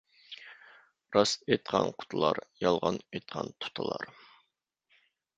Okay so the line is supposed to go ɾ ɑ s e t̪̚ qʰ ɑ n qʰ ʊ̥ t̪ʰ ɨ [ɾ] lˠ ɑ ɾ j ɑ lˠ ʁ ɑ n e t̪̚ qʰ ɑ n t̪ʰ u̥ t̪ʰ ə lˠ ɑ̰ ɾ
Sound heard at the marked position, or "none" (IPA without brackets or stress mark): none